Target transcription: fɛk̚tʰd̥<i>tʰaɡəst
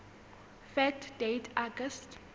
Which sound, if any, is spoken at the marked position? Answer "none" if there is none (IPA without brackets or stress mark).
e